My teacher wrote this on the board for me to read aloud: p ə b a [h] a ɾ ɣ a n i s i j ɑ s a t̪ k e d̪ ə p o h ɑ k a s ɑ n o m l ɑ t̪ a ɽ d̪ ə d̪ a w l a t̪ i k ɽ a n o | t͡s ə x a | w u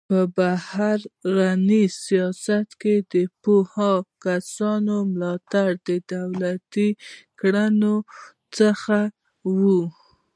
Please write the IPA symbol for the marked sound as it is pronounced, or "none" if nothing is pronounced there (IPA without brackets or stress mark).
h